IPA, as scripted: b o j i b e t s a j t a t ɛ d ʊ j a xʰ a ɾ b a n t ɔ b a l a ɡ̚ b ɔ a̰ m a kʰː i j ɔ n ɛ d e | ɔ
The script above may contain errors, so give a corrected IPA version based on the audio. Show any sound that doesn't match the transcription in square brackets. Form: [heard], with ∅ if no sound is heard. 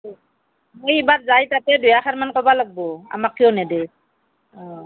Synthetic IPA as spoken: [m] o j i b [a] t [z] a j t a t ɛ d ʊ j a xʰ a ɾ [m] a n [k] ɔ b a l a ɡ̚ b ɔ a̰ m a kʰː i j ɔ n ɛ d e | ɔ